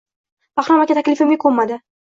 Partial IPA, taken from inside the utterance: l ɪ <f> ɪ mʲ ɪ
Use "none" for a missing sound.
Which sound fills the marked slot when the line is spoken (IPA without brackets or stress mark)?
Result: f